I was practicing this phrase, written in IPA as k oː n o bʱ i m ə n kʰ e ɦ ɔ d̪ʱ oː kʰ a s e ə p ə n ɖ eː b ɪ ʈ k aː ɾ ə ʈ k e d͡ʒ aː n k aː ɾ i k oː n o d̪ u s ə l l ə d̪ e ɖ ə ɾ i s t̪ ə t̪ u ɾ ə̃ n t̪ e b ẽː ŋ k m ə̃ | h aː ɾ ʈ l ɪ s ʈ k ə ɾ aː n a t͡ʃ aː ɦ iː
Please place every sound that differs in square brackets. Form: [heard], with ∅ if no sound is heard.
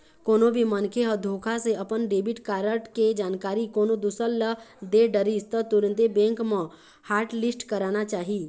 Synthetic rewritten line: k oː n o bʱ i m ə n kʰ e ɦ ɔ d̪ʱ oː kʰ a s e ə p ə n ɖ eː b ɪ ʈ k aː ɾ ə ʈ k e d͡ʒ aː n k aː ɾ i k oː n o d̪ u s ə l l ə d̪ e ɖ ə ɾ i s t̪ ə t̪ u ɾ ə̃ n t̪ e b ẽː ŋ k m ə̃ | h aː ɾ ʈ l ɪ s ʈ k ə ɾ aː n a t͡ʃ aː ɦ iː